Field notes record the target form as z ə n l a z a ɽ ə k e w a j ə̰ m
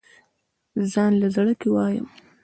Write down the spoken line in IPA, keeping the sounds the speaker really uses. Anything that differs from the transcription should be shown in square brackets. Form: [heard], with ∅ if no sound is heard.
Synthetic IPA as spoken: z [ɑ] n l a z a ɽ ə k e w [ɑ] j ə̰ m